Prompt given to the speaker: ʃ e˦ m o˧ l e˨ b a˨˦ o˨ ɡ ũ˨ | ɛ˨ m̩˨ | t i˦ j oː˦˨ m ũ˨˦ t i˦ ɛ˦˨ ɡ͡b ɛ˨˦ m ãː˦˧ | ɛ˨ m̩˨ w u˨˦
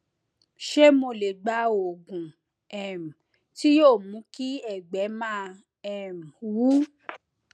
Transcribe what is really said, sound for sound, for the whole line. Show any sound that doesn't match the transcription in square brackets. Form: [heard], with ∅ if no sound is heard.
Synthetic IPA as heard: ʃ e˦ m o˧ l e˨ [ɡ͡b] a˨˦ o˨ ɡ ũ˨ | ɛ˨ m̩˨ | t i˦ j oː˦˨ m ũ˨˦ [k] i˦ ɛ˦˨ ɡ͡b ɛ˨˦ m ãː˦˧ | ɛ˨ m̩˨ w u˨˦